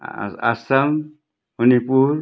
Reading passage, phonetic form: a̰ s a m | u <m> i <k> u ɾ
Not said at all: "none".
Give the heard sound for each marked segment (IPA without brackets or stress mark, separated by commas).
n, p